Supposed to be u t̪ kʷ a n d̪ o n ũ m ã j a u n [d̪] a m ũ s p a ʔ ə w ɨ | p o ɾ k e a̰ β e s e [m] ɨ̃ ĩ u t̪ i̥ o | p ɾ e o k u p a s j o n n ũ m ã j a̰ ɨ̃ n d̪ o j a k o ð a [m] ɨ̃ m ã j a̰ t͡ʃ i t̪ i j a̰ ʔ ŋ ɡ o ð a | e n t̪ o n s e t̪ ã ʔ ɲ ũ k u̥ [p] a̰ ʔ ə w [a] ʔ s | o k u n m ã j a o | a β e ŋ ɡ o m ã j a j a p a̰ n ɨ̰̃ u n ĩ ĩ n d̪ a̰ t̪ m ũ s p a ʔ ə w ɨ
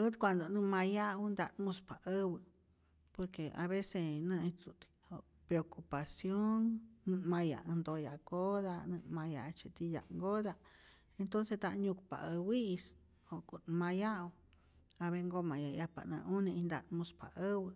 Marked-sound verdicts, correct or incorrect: correct, incorrect, incorrect, correct, incorrect

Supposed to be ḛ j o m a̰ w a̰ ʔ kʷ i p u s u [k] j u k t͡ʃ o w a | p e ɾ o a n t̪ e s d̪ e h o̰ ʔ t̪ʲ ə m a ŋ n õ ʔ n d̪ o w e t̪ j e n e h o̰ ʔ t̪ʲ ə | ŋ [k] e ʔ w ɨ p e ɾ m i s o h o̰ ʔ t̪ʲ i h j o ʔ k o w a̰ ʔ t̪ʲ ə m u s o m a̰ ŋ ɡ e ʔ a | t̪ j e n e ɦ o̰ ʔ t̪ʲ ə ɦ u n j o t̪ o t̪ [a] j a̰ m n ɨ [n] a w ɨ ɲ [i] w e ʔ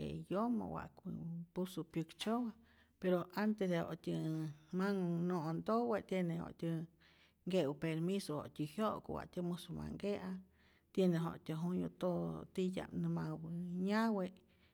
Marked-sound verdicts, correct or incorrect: incorrect, incorrect, incorrect, incorrect, incorrect

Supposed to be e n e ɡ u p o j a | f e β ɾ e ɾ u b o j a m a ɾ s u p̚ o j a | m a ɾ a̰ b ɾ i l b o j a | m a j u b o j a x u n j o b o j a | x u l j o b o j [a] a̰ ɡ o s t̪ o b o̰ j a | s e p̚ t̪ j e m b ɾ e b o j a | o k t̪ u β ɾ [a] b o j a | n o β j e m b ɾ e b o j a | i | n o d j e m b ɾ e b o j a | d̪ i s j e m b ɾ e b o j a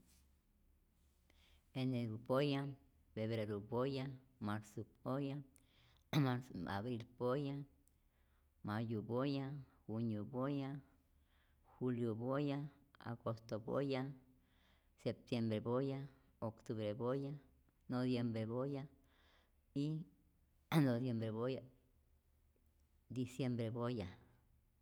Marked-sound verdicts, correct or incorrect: correct, incorrect

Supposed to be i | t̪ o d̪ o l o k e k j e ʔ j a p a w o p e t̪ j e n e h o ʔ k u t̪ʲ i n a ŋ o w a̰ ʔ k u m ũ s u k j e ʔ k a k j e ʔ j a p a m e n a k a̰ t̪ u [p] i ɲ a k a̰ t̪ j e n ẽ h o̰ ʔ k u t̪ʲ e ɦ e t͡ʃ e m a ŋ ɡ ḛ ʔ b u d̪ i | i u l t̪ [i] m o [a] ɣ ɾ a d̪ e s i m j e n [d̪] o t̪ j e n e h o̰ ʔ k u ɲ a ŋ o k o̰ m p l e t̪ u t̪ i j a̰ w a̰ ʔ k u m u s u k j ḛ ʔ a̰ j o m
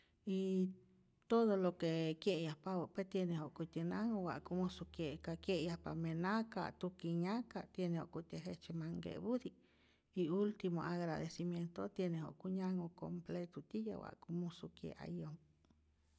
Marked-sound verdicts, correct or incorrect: incorrect, correct, correct, incorrect

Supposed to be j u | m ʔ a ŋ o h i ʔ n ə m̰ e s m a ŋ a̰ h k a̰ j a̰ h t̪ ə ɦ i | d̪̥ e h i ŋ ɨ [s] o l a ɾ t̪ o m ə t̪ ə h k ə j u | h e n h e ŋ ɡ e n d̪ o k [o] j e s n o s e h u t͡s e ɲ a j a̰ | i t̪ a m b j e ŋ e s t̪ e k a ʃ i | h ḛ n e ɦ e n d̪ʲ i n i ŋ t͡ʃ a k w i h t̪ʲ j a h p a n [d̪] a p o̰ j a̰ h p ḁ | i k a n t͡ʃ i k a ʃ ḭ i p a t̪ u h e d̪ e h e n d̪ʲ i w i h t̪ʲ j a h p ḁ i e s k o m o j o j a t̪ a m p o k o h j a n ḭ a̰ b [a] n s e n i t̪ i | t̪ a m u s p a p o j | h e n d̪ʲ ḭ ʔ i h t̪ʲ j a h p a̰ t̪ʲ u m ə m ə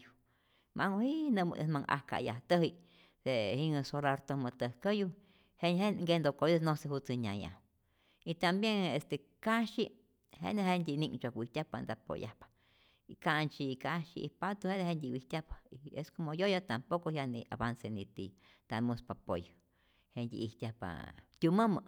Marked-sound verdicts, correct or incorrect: correct, correct, correct, correct

